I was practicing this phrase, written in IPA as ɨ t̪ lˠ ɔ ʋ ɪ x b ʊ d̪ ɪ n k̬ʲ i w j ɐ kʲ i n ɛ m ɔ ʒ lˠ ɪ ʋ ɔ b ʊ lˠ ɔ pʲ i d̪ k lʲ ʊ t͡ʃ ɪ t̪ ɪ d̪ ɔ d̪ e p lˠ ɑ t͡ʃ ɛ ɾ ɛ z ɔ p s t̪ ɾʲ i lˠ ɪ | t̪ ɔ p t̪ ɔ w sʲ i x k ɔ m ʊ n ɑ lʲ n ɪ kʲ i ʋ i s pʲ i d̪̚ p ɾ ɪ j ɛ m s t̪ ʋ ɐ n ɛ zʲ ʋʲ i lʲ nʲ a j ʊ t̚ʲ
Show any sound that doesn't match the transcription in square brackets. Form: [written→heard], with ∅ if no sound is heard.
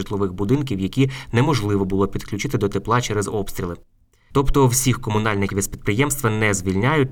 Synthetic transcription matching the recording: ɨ t̪ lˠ ɔ ʋ ɪ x b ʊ d̪ ɪ n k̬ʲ i w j ɐ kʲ i n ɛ m ɔ ʒ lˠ ɪ ʋ ɔ b ʊ lˠ ɔ pʲ i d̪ k lʲ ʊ t͡ʃ ɪ t̪ ɪ d̪ ɔ [d̪→t̪] e p lˠ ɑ t͡ʃ ɛ ɾ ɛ z ɔ p s t̪ ɾʲ i lˠ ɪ | t̪ ɔ p t̪ ɔ w sʲ i x k ɔ m ʊ n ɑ lʲ n ɪ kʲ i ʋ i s pʲ i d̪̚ p ɾ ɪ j ɛ m s t̪ ʋ ɐ n ɛ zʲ ʋʲ i lʲ nʲ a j ʊ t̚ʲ